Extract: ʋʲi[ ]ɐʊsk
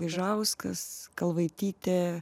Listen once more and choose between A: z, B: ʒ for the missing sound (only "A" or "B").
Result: B